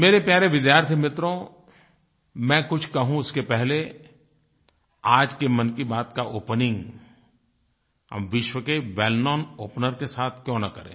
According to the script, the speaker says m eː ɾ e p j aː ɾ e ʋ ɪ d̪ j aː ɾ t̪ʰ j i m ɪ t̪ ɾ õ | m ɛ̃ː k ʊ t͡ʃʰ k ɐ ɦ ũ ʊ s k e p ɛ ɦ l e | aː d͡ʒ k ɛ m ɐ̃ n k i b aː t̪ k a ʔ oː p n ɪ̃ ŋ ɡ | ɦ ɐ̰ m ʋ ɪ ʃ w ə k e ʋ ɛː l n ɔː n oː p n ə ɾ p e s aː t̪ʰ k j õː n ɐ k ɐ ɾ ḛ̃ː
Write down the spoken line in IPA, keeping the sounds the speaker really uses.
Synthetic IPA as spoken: m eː ɾ e p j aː ɾ e ʋ ɪ d̪ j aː ɾ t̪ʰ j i m ɪ t̪ ɾ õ | m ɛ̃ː k ʊ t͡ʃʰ k ɐ ɦ ũ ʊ s k e p ɛ ɦ l e | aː d͡ʒ k e m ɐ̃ n k i b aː t̪ k a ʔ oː p n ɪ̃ ŋ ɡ | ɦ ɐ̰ m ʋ ɪ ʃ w ə k e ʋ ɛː l n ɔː n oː p n ə ɾ k e s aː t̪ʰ k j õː n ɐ k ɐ ɾ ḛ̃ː